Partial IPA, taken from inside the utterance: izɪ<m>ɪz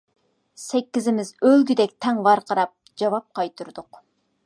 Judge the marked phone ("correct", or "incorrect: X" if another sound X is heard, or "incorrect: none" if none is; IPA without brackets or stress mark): correct